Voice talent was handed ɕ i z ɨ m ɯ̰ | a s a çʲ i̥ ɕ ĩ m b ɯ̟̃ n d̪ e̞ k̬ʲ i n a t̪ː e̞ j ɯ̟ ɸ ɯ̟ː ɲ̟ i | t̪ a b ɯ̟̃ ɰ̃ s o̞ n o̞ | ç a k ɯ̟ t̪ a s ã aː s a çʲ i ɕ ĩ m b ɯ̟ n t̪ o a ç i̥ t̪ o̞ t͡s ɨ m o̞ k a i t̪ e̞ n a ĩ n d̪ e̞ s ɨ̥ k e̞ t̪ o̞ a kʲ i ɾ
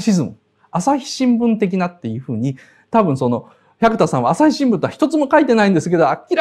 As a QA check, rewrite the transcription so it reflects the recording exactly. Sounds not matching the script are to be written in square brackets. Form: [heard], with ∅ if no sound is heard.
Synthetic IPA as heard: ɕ i z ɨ m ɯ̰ | a s a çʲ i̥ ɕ ĩ m b ɯ̟̃ n [t̪] e̞ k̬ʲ i n a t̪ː e̞ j ɯ̟ ɸ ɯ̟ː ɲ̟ i | t̪ a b ɯ̟̃ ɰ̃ s o̞ n o̞ | ç a k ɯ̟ t̪ a s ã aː s a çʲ i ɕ ĩ m b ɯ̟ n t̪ o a ç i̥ t̪ o̞ t͡s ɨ m o̞ k a i t̪ e̞ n a ĩ n d̪ e̞ s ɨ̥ k e̞ [d̪] o̞ a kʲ i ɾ